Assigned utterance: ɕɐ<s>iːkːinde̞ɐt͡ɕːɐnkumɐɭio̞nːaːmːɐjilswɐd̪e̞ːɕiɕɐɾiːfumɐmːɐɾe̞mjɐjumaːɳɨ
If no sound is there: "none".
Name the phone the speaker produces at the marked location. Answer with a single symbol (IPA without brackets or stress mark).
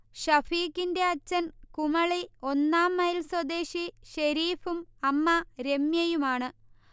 f